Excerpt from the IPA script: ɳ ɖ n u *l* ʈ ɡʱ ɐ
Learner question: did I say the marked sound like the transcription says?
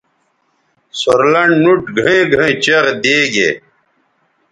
no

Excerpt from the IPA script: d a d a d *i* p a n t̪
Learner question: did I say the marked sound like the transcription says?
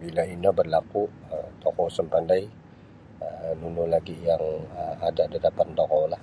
no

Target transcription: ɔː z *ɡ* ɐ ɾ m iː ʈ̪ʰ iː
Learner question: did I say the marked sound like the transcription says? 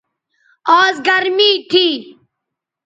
yes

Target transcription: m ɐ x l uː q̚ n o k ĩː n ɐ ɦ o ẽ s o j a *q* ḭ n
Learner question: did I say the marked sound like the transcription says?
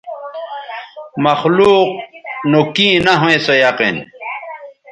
yes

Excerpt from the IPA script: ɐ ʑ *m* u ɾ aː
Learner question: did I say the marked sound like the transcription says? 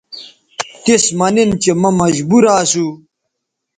no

